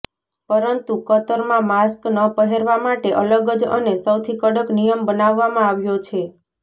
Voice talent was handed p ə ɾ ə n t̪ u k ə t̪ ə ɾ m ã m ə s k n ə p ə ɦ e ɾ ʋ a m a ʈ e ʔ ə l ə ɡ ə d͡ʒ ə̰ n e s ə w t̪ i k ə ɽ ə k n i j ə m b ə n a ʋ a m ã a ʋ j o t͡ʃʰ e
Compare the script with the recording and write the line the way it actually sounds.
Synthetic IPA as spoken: p ə ɾ ə n t̪ u k ə t̪ ə ɾ m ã m a s k n ə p ə ɦ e ɾ ʋ a m a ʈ e ʔ ə l ə ɡ ə d͡ʒ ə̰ n e s ə w t̪ʰ i k ə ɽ ə k n i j ə m b ə n a ʋː a m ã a ʋ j o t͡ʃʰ e